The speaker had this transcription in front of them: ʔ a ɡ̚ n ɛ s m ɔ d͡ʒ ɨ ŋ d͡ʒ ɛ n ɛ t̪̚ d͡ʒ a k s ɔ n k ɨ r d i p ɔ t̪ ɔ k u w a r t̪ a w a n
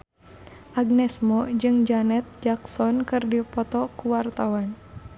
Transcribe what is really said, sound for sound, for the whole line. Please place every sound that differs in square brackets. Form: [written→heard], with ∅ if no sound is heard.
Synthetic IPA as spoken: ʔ a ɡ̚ n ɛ s m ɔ d͡ʒ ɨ ŋ d͡ʒ [ɛ→a] n ɛ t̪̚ d͡ʒ a k s ɔ n k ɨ r d i p ɔ t̪ ɔ k u w a r t̪ a w a n